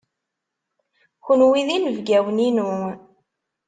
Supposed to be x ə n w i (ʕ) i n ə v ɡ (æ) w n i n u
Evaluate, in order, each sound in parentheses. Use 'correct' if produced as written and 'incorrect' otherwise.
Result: incorrect, correct

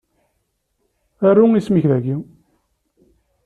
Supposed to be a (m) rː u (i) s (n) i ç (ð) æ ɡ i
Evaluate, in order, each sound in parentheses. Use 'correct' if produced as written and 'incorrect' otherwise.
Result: incorrect, correct, incorrect, correct

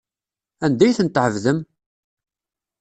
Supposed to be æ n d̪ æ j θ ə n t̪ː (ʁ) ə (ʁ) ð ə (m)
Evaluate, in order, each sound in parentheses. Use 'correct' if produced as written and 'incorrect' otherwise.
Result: incorrect, incorrect, correct

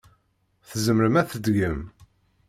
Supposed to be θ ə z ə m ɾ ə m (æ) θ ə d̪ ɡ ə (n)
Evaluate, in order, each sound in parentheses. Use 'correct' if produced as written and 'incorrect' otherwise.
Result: correct, incorrect

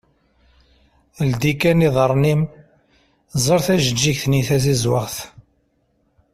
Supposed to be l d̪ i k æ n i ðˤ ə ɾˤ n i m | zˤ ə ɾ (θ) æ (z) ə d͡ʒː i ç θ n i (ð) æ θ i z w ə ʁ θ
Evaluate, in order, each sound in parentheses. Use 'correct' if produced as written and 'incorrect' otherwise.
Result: correct, incorrect, incorrect

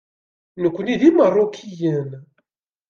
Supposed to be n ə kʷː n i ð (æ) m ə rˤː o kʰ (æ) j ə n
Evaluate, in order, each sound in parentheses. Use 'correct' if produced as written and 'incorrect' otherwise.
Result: incorrect, incorrect

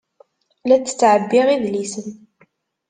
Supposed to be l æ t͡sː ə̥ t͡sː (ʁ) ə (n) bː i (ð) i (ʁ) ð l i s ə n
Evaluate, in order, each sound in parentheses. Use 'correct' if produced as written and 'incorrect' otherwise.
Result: incorrect, incorrect, incorrect, incorrect

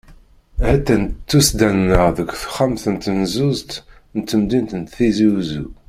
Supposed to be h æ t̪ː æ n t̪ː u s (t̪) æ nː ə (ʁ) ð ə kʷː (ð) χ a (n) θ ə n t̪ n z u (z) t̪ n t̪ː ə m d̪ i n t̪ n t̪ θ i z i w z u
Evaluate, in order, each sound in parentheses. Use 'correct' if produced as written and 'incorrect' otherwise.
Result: incorrect, correct, incorrect, incorrect, correct

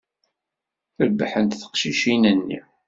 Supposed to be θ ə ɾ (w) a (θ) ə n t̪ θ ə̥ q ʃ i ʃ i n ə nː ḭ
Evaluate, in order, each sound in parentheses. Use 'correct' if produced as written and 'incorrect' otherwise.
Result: incorrect, incorrect

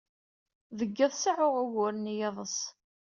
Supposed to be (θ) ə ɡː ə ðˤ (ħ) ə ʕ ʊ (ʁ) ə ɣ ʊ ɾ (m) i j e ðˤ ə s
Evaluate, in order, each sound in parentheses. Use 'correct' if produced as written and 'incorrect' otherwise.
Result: incorrect, incorrect, correct, incorrect

